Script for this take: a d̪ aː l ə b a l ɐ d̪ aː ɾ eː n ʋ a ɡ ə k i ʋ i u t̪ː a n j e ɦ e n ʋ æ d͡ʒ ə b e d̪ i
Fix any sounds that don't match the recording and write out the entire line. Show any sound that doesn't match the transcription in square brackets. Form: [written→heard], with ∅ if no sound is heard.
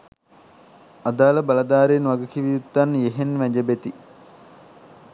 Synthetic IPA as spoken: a d̪ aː l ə b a l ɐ d̪ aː ɾ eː n ʋ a ɡ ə k i ʋ i u t̪ː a n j e ɦ e n ʋ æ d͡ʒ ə b e [d̪→t̪] i